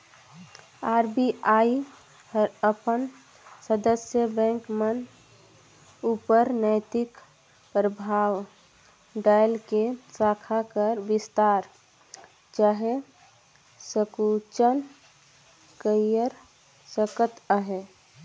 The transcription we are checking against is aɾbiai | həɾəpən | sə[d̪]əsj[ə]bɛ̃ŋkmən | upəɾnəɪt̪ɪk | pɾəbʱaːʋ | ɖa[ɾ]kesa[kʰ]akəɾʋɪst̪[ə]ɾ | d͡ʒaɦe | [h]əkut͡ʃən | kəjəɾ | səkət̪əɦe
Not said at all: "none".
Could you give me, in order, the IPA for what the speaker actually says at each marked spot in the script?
d̪, ə, l, kʰ, a, s

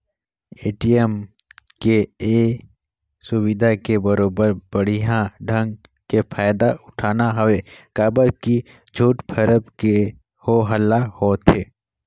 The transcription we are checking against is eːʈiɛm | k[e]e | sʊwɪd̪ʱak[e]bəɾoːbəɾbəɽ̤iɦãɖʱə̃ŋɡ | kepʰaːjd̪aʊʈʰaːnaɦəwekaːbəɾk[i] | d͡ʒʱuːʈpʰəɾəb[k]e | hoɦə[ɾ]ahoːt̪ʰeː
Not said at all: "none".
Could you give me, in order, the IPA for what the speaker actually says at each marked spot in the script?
e, e, i, k, l

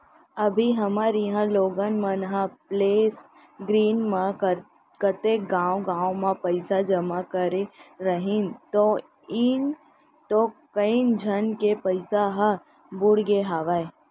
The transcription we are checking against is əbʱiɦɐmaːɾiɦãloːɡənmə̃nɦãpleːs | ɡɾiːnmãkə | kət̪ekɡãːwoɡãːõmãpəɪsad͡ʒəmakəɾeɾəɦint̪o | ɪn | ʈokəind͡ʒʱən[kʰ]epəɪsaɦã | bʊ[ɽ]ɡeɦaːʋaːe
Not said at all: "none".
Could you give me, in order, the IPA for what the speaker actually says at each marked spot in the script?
k, ɽ

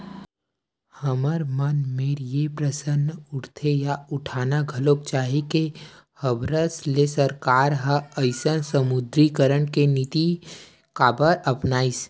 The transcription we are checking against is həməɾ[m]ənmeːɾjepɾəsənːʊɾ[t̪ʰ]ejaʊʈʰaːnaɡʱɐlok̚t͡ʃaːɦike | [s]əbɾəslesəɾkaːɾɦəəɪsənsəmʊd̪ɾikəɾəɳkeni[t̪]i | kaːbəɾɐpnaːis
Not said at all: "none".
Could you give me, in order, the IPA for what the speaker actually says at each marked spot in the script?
m, t̪ʰ, h, t̪

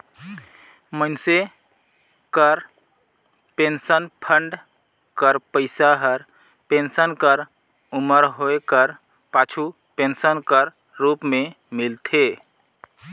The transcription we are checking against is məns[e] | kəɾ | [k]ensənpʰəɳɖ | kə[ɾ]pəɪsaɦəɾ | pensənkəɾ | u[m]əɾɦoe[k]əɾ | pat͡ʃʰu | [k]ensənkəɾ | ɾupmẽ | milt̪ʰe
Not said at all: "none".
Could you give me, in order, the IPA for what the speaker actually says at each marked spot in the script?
e, p, ɾ, m, k, p

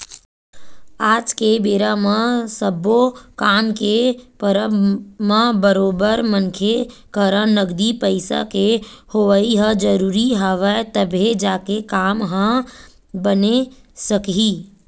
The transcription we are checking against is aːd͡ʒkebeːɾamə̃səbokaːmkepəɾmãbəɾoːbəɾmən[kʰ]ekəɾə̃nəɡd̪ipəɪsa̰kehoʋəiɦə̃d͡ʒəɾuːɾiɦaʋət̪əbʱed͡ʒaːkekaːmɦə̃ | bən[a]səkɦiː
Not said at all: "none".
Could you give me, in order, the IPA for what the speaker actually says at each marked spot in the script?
kʰ, e

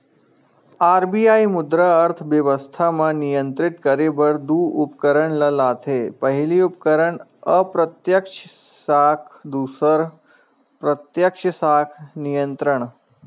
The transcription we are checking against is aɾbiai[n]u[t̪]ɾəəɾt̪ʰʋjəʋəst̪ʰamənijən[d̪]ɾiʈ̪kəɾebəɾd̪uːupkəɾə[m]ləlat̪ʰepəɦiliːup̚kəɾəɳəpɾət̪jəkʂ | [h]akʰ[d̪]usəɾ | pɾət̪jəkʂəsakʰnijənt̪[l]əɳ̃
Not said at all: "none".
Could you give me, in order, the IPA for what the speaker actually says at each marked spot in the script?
m, d̪, t̪, ɳ, s, d̪, ɾ

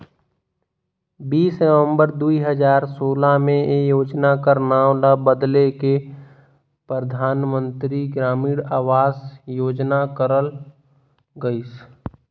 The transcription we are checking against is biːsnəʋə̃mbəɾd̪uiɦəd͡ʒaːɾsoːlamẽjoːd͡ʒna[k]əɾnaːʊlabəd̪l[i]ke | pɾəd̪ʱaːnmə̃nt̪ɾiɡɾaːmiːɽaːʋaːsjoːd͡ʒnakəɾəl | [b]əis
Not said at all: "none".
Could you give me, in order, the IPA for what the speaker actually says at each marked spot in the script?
k, e, ɡ

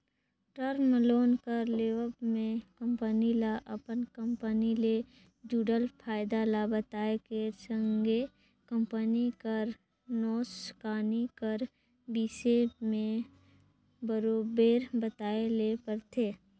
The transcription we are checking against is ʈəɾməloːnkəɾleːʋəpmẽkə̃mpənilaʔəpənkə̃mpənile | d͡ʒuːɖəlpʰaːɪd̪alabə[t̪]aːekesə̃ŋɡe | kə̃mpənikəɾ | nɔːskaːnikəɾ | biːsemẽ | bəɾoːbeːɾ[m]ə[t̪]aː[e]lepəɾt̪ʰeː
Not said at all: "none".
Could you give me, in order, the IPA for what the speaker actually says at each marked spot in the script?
t̪, b, t̪, e

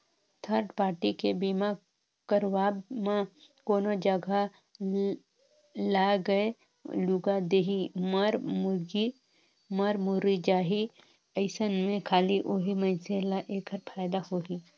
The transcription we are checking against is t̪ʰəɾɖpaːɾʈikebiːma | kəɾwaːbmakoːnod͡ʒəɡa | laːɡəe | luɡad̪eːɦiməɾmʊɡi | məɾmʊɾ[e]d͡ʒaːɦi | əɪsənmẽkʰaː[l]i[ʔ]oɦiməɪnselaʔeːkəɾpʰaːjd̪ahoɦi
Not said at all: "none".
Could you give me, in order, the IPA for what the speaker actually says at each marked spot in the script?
i, l, ʔ

